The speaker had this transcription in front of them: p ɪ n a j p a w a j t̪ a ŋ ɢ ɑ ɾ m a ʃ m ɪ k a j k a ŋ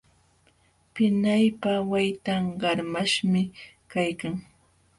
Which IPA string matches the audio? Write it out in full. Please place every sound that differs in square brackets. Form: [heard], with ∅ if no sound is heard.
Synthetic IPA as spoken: p ɪ n a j p a w a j t̪ a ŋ ɢ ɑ ɾ m a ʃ m ɪ k a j k a ŋ